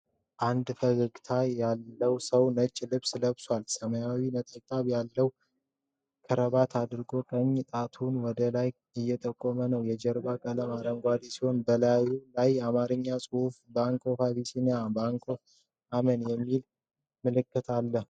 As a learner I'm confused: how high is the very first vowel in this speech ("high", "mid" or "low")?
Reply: low